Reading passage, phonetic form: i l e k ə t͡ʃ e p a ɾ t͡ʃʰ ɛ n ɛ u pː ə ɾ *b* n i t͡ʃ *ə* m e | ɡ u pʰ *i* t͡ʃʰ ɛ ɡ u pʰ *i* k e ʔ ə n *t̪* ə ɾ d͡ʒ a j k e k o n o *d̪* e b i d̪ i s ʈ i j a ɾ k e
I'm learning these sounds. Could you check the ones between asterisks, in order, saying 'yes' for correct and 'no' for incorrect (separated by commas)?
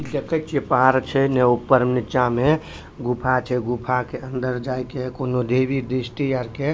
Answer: no, no, no, no, no, yes